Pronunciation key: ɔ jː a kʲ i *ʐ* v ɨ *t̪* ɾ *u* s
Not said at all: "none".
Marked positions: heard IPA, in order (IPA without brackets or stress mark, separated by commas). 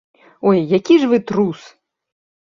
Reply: ʐ, t̪, u